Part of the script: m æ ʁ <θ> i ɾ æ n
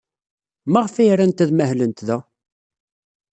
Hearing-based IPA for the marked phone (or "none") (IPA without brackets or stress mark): f